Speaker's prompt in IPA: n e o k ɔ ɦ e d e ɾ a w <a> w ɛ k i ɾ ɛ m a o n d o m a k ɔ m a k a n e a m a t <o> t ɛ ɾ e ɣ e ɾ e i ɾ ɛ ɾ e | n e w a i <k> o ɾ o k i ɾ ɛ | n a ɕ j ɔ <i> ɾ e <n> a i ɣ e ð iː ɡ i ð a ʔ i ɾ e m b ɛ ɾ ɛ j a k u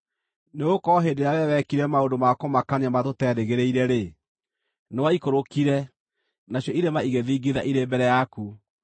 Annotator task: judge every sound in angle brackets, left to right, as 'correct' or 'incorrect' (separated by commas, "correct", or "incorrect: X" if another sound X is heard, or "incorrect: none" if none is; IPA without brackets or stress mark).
incorrect: ɛ, correct, correct, correct, incorrect: m